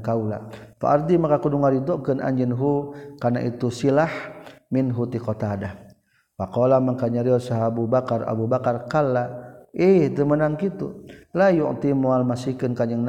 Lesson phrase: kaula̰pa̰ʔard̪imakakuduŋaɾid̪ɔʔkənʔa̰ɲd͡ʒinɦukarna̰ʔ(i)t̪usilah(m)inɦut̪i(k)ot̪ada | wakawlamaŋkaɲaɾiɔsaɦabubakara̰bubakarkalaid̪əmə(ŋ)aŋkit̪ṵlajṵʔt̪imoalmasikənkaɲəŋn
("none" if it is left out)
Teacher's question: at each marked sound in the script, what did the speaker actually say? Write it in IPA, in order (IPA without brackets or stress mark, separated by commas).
i, m, k, n